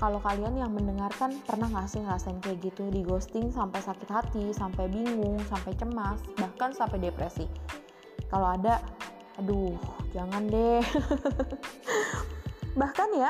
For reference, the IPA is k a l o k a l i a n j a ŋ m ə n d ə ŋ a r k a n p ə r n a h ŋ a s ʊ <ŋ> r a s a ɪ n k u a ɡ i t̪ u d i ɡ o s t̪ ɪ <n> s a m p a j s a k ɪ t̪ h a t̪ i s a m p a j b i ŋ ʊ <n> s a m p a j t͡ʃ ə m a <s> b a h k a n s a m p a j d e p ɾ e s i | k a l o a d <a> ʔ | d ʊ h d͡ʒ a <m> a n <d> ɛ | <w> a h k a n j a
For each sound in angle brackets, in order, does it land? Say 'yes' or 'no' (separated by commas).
yes, no, no, yes, yes, no, yes, no